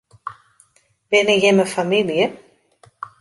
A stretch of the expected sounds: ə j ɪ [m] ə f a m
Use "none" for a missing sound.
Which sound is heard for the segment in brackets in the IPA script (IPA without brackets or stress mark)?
m